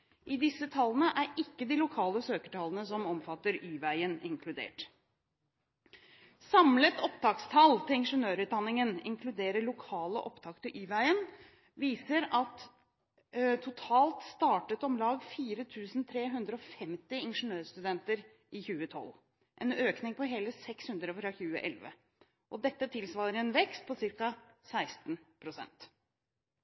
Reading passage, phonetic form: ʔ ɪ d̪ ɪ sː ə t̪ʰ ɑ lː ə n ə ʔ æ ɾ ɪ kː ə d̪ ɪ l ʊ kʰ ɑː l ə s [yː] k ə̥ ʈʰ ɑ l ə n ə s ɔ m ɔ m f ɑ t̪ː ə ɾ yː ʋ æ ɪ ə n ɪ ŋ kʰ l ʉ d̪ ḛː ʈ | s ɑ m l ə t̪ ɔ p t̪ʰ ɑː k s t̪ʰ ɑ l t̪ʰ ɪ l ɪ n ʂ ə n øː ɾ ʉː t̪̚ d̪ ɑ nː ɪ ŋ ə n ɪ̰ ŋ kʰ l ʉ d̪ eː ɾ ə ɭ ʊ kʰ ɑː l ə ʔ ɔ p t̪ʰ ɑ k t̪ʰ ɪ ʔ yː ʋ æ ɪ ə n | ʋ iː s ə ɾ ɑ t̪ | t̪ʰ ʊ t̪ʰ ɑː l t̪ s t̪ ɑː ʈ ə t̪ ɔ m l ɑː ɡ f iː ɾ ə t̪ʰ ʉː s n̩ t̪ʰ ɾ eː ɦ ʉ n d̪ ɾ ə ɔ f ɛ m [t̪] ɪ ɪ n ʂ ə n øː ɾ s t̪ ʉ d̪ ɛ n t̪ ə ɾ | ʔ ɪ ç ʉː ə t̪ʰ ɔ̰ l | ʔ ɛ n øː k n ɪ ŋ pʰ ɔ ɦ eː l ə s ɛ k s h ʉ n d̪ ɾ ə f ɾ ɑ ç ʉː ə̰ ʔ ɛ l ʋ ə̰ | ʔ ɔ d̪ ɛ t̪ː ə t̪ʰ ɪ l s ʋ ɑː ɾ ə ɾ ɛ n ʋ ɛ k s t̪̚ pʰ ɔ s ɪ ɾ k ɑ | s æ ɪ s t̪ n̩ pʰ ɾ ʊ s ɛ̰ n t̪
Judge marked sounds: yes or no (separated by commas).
no, yes